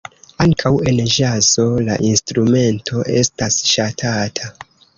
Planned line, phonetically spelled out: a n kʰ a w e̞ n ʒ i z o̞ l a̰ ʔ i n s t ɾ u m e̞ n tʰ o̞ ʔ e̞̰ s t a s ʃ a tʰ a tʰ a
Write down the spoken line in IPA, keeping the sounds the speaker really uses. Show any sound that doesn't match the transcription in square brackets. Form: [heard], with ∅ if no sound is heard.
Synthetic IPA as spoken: a [ŋ] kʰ a w e̞ n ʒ [a] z o̞ l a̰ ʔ i n s t ɾ u m e̞ n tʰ o̞ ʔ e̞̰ s t a s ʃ a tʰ a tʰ a